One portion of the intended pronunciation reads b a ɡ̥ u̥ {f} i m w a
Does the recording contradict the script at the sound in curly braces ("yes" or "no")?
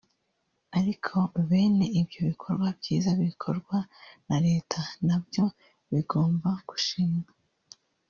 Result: yes